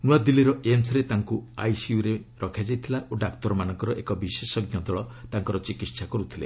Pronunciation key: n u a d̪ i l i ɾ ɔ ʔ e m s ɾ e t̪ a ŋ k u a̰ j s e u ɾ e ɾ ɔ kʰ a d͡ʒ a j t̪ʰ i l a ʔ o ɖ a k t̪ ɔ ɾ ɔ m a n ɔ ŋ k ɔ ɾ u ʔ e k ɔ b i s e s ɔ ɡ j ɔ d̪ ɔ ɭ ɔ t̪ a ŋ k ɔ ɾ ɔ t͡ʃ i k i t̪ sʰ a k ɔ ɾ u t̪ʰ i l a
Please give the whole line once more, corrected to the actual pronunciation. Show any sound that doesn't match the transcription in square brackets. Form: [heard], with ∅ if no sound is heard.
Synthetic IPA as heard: n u a d̪ i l i ɾ ɔ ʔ e m s ɾ e t̪ a ŋ k u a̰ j s [i] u ɾ e ɾ ɔ kʰ a d͡ʒ a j t̪ʰ i l a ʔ o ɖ a k t̪ ɔ ɾ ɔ m a n ɔ ŋ k ɔ ɾ [ɔ] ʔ e k ɔ b i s e s ɔ ɡ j ɔ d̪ ɔ ɭ ɔ t̪ a ŋ k ɔ ɾ ɔ t͡ʃ i k i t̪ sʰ a k ɔ ɾ u t̪ʰ i l [e]

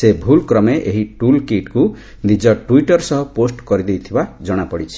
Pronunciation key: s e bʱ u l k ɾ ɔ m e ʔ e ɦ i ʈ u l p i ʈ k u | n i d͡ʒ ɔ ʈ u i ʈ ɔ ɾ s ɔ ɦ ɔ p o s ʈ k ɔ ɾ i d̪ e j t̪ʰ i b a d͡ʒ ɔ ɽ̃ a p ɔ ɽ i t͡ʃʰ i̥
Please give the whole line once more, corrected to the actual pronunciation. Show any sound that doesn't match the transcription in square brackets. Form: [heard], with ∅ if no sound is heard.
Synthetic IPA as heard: s e bʱ u l k ɾ ɔ m e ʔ e ɦ i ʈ u l [k] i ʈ k u | n i d͡ʒ ɔ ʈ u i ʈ ɔ ɾ s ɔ ɦ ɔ p o s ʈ k ɔ ɾ i d̪ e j t̪ʰ i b a d͡ʒ ɔ ɽ̃ a p ɔ ɽ i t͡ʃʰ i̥

